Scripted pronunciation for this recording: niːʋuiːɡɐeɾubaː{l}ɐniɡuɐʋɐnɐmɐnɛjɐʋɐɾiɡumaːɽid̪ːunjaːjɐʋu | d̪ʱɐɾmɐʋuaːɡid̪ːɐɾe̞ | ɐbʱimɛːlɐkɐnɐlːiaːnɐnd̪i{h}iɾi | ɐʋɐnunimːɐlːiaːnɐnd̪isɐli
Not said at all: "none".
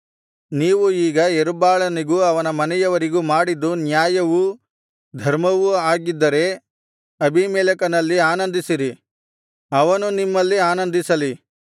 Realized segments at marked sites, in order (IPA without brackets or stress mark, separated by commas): ɭ, s